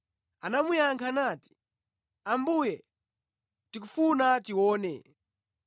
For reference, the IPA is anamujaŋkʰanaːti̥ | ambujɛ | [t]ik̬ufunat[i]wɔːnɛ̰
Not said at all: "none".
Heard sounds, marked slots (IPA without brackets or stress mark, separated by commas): t, i